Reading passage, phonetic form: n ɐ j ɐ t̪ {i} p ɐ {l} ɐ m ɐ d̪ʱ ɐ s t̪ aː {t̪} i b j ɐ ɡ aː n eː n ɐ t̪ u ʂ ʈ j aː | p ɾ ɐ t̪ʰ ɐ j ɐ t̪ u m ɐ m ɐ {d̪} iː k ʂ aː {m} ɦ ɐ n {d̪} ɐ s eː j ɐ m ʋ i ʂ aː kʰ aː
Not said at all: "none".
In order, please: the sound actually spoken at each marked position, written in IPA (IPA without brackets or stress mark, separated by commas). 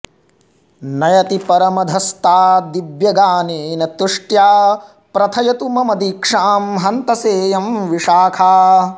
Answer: i, ɾ, d̪, d̪, m, t̪